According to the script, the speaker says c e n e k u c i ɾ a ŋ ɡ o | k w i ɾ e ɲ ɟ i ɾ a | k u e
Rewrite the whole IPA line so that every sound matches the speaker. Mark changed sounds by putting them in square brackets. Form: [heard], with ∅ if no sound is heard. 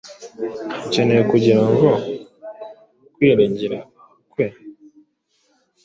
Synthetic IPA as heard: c e n e k u [ɟ] i ɾ a ŋ ɡ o | k w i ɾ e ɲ ɟ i ɾ a | k [w] e